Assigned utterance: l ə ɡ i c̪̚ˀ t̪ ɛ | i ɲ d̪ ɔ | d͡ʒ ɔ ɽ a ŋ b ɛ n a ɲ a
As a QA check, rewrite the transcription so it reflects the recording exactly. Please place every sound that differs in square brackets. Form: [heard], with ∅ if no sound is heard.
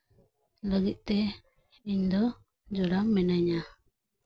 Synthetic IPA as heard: l ə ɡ i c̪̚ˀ t̪ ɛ | i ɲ d̪ ɔ | d͡ʒ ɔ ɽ a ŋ [m] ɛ n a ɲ a

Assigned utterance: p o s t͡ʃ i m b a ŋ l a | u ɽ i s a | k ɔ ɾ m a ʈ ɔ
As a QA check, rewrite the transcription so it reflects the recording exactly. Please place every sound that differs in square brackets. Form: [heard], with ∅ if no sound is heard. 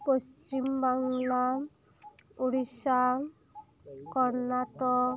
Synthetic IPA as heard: p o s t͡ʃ i m b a ŋ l a | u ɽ i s a | k ɔ ɾ [n] a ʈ ɔ

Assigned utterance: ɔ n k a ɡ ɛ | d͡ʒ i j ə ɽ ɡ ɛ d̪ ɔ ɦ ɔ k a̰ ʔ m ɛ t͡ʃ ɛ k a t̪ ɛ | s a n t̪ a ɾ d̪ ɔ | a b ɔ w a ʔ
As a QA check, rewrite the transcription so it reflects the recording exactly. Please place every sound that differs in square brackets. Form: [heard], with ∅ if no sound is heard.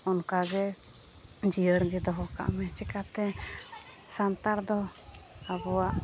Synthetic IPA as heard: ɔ n k a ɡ ɛ | d͡ʒ i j ə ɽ ɡ ɛ d̪ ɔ ɦ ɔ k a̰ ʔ m ɛ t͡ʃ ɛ k a t̪ ɛ | s a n t̪ a ɾ d̪ ɔ | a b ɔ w a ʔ

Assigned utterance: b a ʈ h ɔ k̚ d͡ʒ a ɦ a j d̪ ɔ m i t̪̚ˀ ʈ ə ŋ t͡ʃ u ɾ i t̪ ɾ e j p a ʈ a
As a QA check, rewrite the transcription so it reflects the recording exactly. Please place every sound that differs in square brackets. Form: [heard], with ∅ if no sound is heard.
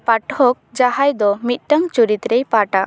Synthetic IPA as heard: [p] a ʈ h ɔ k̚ d͡ʒ a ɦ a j d̪ ɔ m i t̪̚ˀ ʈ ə ŋ t͡ʃ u ɾ i t̪ ɾ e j p a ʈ a

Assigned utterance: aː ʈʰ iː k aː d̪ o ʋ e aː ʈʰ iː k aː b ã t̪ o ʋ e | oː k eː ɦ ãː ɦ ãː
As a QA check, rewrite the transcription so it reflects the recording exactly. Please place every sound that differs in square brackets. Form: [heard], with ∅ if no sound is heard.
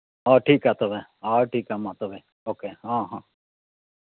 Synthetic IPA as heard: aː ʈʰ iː k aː [t̪] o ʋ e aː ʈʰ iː k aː [m] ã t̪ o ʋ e | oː k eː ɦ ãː ɦ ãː

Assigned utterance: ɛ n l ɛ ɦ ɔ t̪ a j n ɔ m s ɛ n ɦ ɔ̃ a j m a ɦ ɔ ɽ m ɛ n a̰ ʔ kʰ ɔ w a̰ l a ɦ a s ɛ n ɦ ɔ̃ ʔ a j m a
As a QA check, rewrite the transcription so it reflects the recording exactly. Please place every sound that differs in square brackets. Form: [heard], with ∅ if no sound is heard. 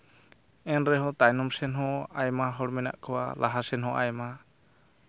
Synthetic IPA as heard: ɛ n [ɾ] ɛ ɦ ɔ t̪ a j n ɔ m s ɛ n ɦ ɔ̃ a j m a ɦ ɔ ɽ m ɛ n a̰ ʔ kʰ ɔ w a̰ l a ɦ a s ɛ n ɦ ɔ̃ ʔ a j m a

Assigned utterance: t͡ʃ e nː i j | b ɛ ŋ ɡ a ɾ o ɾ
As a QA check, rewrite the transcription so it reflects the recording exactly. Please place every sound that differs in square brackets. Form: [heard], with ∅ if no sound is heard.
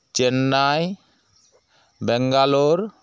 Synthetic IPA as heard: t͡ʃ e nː [a] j | b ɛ ŋ ɡ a [l] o ɾ

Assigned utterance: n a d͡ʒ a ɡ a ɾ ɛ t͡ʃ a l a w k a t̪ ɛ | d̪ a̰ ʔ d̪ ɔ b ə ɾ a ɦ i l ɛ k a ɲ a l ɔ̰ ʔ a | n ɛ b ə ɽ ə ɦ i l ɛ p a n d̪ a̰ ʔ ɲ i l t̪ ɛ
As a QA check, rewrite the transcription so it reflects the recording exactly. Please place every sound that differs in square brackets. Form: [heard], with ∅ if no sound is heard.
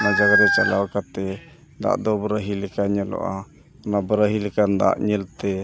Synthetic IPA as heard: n a d͡ʒ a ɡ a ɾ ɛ t͡ʃ a l a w k a t̪ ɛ | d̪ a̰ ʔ d̪ ɔ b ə ɾ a ɦ i l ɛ k a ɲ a l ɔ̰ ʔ a | n [a] b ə [ɾ] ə ɦ i l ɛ [k] a n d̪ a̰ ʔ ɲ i l t̪ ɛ

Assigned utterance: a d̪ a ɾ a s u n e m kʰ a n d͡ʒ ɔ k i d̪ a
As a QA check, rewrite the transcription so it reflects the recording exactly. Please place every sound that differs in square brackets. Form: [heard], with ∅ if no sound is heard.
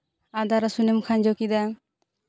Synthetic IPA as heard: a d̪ a ɾ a s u n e m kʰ a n d͡ʒ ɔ k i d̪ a

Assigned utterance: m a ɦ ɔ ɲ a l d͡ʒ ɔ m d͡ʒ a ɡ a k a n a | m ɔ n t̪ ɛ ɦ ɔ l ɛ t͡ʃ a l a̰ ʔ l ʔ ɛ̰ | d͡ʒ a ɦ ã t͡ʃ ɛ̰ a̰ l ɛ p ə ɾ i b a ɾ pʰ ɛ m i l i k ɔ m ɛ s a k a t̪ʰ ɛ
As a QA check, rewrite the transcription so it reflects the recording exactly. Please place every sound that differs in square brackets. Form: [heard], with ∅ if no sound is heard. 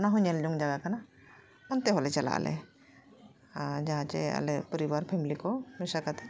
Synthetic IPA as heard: [n] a ɦ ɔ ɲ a l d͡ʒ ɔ [ŋ] d͡ʒ a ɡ a k a n a | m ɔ n t̪ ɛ ɦ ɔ l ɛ t͡ʃ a l a̰ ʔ l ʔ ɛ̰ | d͡ʒ a ɦ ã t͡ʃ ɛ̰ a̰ l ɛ p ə ɾ i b a ɾ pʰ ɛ m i l i k ɔ m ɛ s a k a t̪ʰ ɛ

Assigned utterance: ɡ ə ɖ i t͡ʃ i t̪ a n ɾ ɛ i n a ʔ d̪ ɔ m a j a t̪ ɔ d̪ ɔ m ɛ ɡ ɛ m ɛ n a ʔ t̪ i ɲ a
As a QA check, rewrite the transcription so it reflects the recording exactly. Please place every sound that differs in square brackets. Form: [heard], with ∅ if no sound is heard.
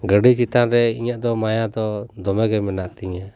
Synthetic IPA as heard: ɡ ə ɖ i t͡ʃ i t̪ a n ɾ ɛ i [ɲ] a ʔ d̪ ɔ m a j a [d̪] ɔ d̪ ɔ m ɛ ɡ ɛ m ɛ n a ʔ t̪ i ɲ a

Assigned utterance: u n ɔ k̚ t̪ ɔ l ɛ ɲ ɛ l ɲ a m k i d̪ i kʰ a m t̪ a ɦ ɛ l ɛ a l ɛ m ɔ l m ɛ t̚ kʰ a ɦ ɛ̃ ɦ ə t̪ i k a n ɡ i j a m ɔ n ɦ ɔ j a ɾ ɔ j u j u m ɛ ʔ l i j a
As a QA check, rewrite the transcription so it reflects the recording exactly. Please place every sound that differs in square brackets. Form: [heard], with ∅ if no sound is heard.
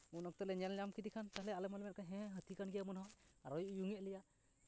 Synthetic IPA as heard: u n ɔ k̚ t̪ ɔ l ɛ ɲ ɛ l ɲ a m k i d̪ i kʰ a [n] t̪ a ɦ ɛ l ɛ a l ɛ m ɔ l m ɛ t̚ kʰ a ɦ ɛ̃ ɦ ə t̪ i k a n ɡ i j a m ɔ n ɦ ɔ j a ɾ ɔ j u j u [ŋ] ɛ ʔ l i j a

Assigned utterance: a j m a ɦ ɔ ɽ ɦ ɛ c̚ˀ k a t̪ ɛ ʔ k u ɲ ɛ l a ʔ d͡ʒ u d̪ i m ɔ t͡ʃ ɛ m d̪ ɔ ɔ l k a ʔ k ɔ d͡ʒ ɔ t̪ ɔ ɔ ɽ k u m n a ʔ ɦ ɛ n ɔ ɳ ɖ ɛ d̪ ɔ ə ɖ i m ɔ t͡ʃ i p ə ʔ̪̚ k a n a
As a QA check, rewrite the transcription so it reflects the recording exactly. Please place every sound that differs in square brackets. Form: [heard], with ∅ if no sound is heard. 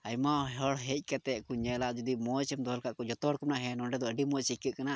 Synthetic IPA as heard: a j m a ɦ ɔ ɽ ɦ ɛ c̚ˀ k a t̪ ɛ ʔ k u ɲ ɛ l a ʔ d͡ʒ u d̪ i m ɔ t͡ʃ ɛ m d̪ ɔ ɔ l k a ʔ k ɔ d͡ʒ ɔ t̪ ɔ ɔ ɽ k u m n a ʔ ɦ ɛ n ɔ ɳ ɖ ɛ d̪ ɔ ə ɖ i m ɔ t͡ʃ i [k] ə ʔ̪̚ k a n a

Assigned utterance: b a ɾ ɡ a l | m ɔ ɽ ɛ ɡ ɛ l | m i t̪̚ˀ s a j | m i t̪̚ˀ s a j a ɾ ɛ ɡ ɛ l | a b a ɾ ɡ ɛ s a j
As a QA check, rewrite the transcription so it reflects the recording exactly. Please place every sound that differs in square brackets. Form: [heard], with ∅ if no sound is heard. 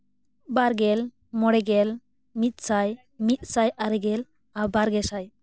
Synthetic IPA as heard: b a ɾ ɡ [ɛ] l | m ɔ ɽ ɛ ɡ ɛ l | m i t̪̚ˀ s a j | m i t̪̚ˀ s a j a ɾ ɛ ɡ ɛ l | a b a ɾ ɡ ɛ s a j

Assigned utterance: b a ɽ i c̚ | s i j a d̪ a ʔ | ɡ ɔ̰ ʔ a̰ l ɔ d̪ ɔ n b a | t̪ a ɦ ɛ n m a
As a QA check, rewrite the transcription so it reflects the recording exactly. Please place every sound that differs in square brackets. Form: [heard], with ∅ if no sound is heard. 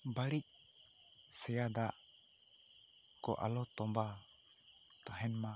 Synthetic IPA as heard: b a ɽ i c̚ | s [ɛ] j a d̪ a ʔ | [k] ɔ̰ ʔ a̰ l ɔ [t̪] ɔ [m] b a | t̪ a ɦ ɛ n m a

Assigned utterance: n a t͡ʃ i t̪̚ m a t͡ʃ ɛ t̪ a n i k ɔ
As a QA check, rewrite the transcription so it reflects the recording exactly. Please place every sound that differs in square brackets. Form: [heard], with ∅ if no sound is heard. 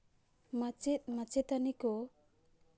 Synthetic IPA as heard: [m] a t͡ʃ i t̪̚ m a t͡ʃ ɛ t̪ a n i k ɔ

